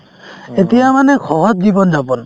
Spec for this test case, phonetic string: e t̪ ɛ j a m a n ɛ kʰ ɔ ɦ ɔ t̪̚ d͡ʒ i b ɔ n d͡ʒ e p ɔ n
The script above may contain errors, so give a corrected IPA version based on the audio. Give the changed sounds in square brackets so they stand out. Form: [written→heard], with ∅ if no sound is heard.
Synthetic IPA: e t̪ [ɛ→i] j a m a n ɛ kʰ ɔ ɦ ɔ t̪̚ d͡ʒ i b ɔ n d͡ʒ [e→a] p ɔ n